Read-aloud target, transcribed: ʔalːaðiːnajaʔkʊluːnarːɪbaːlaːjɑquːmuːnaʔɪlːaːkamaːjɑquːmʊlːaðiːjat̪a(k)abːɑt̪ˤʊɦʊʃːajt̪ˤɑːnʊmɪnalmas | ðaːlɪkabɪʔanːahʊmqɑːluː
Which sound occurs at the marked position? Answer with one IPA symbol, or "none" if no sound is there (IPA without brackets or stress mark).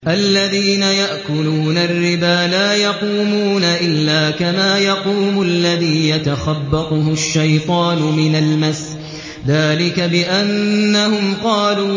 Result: x